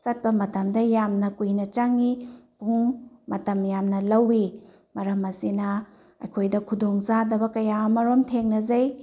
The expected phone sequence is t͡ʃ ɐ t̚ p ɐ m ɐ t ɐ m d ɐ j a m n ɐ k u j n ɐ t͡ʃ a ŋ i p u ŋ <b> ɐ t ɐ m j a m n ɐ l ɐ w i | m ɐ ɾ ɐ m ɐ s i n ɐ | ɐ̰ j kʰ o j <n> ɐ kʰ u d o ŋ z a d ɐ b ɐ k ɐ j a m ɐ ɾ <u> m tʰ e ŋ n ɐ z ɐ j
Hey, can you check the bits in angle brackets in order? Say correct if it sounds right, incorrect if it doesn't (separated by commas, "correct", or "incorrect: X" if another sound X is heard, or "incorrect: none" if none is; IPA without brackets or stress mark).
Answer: incorrect: m, incorrect: d, incorrect: o